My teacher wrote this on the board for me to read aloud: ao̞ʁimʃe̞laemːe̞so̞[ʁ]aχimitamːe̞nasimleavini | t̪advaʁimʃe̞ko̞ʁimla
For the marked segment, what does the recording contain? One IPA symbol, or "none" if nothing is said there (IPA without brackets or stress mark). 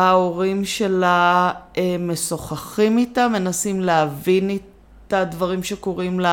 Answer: χ